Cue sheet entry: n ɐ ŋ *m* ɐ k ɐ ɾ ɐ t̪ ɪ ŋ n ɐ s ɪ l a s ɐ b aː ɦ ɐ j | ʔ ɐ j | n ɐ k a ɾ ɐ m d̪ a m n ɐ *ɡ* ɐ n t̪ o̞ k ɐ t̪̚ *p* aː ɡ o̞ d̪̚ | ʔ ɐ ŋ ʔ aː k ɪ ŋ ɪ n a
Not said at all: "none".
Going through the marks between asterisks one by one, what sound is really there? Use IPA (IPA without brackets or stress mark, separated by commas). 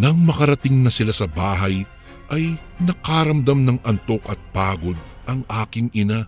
m, ŋ, p